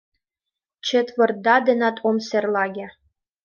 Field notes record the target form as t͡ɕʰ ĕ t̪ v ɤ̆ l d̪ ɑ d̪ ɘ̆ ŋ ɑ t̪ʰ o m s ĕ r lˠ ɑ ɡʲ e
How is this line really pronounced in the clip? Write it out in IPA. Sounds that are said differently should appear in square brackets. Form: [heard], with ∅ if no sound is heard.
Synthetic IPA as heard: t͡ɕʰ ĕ t̪ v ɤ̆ [r] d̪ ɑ d̪ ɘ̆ [n] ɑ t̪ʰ o m s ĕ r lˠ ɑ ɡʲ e